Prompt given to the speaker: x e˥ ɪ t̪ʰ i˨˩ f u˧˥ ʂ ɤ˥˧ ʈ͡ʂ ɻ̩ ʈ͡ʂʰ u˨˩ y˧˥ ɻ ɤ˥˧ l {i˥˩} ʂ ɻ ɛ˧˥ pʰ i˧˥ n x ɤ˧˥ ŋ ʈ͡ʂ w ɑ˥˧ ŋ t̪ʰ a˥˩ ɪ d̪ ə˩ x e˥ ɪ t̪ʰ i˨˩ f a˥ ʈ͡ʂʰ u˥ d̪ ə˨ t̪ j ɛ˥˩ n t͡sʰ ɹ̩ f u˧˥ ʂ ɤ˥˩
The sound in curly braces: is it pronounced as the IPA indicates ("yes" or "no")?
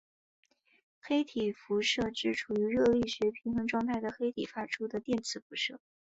yes